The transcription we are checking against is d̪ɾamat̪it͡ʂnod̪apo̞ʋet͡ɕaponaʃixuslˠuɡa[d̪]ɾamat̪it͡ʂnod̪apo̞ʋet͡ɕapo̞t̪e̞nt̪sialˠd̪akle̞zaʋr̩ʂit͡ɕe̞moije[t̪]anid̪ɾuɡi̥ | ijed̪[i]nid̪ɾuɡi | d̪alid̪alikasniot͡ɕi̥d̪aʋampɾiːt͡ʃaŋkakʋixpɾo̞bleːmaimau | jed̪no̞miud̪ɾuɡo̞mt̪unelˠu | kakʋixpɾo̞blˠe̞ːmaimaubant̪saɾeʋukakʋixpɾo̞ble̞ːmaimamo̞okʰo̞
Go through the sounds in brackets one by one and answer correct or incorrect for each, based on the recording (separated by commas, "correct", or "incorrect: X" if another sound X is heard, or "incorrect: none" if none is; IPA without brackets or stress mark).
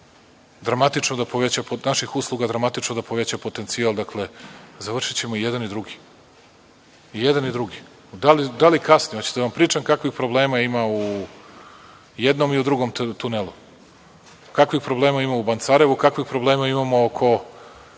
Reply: correct, incorrect: d̪, incorrect: a